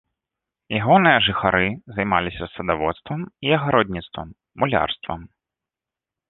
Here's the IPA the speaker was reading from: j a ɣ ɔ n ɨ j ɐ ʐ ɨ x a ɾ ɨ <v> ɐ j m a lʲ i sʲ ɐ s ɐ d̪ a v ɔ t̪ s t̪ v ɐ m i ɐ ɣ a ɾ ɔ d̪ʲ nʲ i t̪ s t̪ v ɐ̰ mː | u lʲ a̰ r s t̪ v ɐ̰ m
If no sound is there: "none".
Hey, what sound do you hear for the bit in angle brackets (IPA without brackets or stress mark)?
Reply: z